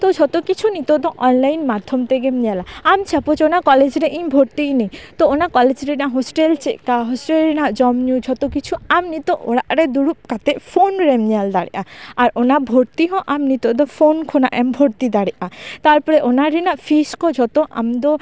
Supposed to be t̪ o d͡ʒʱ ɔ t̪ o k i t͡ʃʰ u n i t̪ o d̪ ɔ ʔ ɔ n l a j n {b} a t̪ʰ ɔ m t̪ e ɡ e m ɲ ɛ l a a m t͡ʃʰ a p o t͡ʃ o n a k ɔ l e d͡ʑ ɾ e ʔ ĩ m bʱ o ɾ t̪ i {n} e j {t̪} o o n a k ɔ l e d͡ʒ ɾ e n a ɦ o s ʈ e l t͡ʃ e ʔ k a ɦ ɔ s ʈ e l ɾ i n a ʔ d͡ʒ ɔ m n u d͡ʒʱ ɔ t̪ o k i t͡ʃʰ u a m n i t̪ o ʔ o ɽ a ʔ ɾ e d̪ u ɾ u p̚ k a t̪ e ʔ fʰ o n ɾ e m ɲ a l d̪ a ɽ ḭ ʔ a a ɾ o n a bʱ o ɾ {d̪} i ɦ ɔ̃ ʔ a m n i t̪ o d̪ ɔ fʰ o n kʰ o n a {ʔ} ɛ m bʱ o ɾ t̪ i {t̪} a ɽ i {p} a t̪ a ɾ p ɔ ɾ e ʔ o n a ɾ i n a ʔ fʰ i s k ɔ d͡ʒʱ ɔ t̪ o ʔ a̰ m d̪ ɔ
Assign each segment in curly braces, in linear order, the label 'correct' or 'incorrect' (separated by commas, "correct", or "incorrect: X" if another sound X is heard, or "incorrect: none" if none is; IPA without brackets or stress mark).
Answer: incorrect: m, correct, correct, incorrect: t̪, correct, incorrect: d̪, incorrect: ʔ